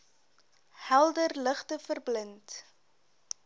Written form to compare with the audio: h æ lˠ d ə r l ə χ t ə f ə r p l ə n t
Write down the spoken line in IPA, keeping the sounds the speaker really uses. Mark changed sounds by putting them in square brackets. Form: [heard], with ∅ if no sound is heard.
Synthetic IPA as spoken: h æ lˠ d ə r l ə χ t ə f ə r [b] l ə n t